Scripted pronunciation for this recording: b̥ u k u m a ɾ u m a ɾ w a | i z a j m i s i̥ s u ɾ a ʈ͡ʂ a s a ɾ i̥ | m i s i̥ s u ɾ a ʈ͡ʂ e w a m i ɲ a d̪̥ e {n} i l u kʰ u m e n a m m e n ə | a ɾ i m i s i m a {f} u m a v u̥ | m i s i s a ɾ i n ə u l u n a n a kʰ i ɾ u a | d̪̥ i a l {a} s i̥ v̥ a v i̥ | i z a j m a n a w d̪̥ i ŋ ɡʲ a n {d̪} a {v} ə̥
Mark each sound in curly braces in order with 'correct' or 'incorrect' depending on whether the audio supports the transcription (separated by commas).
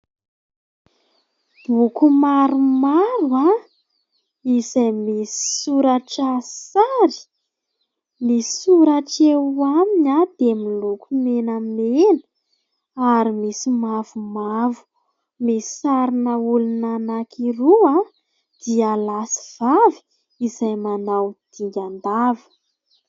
incorrect, incorrect, correct, correct, correct